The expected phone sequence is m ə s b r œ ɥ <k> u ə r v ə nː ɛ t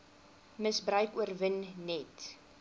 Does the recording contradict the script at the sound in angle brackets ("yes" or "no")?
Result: no